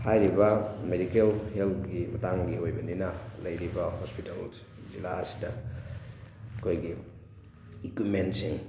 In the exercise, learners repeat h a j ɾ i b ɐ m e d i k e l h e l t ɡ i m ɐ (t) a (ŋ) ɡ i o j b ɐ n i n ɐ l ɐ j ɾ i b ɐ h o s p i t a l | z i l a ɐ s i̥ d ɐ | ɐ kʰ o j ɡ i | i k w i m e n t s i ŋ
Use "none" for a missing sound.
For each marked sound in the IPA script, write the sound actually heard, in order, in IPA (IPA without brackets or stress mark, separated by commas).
t, ŋ